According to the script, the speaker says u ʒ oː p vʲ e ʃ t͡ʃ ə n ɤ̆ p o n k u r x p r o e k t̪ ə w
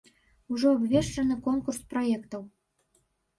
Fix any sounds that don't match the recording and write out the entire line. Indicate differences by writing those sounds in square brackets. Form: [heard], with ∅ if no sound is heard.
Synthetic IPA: u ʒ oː [b] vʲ e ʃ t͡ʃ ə n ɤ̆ [k] o n k u r [s] p r o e k t̪ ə w